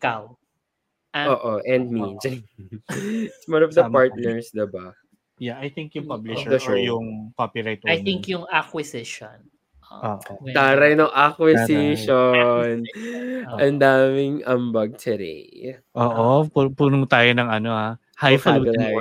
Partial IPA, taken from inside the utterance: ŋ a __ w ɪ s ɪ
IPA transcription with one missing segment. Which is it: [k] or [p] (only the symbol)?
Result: k